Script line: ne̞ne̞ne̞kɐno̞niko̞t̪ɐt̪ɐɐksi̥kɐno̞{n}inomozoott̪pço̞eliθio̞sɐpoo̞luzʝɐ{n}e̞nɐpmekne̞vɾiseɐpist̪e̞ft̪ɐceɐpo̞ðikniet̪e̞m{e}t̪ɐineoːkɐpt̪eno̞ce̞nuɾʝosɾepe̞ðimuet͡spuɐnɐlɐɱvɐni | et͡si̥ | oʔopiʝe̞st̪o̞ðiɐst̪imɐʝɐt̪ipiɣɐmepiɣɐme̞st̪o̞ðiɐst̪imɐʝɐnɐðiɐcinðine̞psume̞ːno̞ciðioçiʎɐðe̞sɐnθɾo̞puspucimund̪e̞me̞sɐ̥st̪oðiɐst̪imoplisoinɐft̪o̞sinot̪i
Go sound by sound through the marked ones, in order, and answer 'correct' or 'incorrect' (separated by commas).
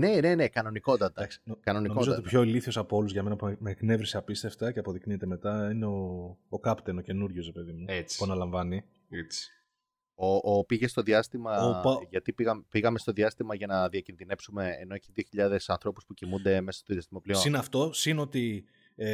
correct, incorrect, correct